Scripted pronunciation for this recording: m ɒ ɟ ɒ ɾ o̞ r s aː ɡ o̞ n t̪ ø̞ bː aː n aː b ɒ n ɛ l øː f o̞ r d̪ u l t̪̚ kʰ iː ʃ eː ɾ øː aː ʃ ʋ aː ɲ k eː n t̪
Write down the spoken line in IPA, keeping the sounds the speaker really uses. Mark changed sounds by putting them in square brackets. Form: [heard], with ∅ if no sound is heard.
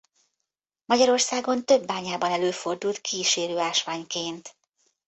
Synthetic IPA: m ɒ ɟ ɒ ɾ o̞ r s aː ɡ o̞ n t̪ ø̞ bː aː [ɲ] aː b ɒ n ɛ l øː f o̞ r d̪ u l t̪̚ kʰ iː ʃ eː ɾ øː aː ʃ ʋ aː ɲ k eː n t̪